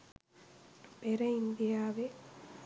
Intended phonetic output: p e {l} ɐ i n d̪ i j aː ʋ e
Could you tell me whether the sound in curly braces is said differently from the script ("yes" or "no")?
yes